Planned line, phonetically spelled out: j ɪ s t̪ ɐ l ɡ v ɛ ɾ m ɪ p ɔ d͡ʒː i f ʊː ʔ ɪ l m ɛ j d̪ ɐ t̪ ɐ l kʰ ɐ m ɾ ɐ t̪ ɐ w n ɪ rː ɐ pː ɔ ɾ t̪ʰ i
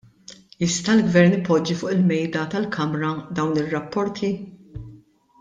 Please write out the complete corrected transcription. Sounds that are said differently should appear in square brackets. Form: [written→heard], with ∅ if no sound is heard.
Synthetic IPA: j ɪ s t̪ ɐ l ɡ v ɛ ɾ [m→n] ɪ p ɔ d͡ʒː i f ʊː ʔ ɪ l m ɛ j d̪ ɐ t̪ ɐ l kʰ ɐ m ɾ ɐ [t̪→d̪] ɐ w n ɪ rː ɐ pː ɔ ɾ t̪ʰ i